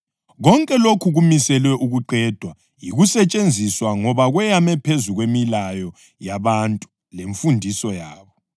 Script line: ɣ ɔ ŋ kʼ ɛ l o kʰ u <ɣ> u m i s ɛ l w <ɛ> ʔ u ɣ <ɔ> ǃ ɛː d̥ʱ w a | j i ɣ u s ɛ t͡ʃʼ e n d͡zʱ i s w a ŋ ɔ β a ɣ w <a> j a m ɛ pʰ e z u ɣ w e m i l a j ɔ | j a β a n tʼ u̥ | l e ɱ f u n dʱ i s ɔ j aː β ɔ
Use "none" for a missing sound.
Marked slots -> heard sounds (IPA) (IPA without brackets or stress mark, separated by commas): ɣ, ɛ, u, ɛ